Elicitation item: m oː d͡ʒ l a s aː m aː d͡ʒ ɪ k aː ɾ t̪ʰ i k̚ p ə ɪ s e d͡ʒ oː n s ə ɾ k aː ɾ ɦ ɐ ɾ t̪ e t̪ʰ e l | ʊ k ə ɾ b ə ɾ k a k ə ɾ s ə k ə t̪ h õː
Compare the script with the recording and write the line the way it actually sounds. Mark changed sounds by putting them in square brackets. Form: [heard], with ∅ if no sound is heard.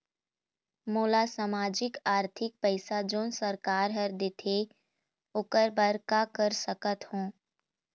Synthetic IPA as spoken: m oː [∅] l a s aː m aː d͡ʒ ɪ k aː ɾ t̪ʰ [ɪ] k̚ p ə ɪ s [a] d͡ʒ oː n s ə ɾ k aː ɾ ɦ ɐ ɾ [d̪] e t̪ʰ e [∅] | ʊ k ə ɾ b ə ɾ k a k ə ɾ s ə k ə t̪ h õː

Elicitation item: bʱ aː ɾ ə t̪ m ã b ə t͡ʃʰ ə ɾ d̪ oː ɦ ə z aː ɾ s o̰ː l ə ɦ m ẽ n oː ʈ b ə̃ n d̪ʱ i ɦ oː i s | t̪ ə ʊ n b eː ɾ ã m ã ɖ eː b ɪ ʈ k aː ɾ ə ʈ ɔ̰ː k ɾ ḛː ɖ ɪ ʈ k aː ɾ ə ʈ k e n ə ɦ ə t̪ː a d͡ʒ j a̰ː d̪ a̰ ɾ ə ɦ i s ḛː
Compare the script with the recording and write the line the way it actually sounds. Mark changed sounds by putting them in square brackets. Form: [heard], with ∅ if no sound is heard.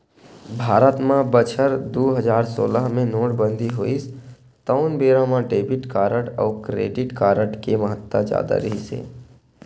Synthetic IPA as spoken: bʱ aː ɾ ə t̪ m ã b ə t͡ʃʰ ə ɾ d̪ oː ɦ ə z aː ɾ s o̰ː l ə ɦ m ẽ n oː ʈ b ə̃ n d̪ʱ i ɦ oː i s | t̪ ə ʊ n b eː ɾ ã m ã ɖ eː b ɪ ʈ k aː ɾ ə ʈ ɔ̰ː k ɾ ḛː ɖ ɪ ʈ k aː ɾ ə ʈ k e [m] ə ɦ ə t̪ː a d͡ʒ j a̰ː d̪ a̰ ɾ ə ɦ i s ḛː

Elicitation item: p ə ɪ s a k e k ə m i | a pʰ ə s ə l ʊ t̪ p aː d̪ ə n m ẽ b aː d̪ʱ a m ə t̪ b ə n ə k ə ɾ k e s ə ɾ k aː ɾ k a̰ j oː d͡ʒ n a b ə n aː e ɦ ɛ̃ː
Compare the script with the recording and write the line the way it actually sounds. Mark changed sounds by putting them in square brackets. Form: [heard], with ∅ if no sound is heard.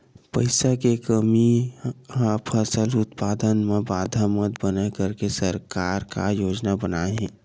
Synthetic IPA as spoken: p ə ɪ s a k e k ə m i | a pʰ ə s ə l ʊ t̪ p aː d̪ ə n m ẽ b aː d̪ʱ a m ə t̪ b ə n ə k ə ɾ k e s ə ɾ k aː ɾ k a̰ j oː d͡ʒ n a b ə n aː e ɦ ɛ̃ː

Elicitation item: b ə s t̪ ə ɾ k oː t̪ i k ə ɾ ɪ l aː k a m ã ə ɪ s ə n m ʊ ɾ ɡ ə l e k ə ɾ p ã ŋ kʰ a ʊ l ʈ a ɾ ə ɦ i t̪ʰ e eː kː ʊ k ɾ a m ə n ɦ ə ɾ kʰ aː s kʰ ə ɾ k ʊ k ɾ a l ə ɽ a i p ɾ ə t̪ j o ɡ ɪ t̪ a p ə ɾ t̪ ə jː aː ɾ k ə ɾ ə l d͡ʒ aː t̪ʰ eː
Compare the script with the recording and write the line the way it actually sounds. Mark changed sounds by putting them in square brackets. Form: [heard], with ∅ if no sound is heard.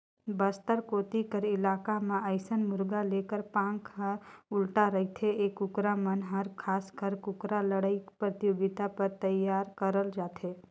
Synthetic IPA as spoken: b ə s t̪ ə ɾ k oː t̪ i k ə ɾ ɪ l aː k a m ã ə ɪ s ə n m ʊ ɾ ɡ [a] l e k ə ɾ p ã ŋ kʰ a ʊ l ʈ a ɾ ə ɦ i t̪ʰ e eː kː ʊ k ɾ a m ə n ɦ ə ɾ kʰ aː s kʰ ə ɾ k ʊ k ɾ a l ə ɽ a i p ɾ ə t̪ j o ɡ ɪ t̪ a p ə ɾ t̪ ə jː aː ɾ k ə ɾ ə l d͡ʒ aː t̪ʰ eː

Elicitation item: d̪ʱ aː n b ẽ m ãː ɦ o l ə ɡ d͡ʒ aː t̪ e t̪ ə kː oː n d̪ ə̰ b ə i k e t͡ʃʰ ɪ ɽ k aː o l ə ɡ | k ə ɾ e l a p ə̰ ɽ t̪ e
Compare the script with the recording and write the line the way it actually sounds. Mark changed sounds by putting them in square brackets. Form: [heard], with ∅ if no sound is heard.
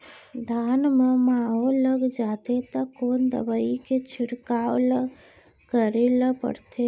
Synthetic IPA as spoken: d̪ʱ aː n [m] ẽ m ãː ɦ o l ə ɡ d͡ʒ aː t̪ e t̪ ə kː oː n d̪ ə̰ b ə i k e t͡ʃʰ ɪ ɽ k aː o l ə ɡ | k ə ɾ e l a p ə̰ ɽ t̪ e

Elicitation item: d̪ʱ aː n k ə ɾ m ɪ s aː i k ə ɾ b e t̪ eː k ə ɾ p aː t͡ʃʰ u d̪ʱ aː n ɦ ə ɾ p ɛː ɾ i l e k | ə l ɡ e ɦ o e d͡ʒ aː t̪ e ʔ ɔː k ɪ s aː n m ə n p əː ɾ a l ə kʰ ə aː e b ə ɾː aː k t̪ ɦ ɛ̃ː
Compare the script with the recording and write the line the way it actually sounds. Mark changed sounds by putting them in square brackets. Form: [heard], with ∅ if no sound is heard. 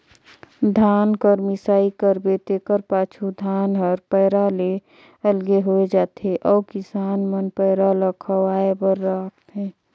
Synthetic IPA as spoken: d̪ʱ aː n k ə ɾ m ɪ s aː i k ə ɾ b e t̪ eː k ə ɾ p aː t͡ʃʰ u d̪ʱ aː n ɦ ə ɾ p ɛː ɾ [a] l e [∅] | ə l ɡ e ɦ o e d͡ʒ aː t̪ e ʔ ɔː k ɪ s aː n m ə n p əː ɾ a l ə kʰ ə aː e b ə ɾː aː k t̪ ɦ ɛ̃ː

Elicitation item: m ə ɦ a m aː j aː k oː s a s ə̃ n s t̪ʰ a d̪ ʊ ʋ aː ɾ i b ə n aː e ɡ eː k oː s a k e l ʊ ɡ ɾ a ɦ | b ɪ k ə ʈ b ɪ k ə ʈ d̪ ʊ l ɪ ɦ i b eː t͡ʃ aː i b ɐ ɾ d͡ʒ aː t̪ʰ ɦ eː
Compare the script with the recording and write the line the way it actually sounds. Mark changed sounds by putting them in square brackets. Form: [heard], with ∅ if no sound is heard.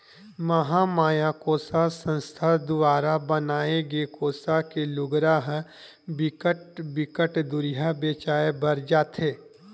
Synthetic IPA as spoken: m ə ɦ a m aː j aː k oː s a s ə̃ n s t̪ʰ a d̪ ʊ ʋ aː ɾ [a] b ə n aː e ɡ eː k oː s a k e l ʊ ɡ ɾ a ɦ | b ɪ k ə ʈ b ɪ k ə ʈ d̪ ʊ [ɾ] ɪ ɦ [a] b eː t͡ʃ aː [e] b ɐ ɾ d͡ʒ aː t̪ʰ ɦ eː

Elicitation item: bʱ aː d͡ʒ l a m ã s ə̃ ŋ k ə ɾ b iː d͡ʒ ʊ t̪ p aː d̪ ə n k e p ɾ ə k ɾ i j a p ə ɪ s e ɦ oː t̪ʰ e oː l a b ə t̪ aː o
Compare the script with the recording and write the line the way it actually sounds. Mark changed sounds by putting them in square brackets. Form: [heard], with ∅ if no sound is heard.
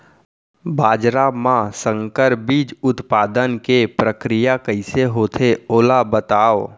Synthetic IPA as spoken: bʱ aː d͡ʒ [ɾ] a m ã s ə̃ ŋ k ə ɾ b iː d͡ʒ ʊ t̪ p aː d̪ ə n k e p ɾ ə k ɾ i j a [k] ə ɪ s e ɦ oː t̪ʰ e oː l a b ə t̪ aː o

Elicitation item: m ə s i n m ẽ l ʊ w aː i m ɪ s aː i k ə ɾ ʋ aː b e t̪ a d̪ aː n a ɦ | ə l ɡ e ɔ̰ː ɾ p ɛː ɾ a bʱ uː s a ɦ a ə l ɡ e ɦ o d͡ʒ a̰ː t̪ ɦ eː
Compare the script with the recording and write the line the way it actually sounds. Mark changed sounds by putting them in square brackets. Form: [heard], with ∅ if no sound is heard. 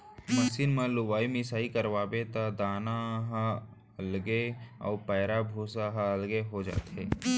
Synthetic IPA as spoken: m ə s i n m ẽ l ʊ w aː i m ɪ s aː i k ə ɾ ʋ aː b e t̪ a d̪ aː n a ɦ | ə l ɡ e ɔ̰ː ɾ p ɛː ɾ a bʱ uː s a ɦ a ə l ɡ e ɦ o d͡ʒ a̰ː t̪ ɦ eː

